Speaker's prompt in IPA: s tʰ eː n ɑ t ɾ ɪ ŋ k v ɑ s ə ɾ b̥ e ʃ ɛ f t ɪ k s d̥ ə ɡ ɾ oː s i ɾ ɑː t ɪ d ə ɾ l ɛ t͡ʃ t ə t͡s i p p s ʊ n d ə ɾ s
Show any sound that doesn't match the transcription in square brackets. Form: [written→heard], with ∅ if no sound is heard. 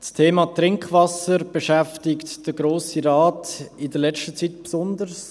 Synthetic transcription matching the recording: s tʰ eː [n→m] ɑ t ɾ ɪ ŋ k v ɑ s ə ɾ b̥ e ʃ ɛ f t ɪ k [s→t] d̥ ə ɡ ɾ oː s i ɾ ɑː t ɪ d ə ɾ l ɛ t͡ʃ t ə t͡s i [p→t] p s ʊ n d ə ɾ s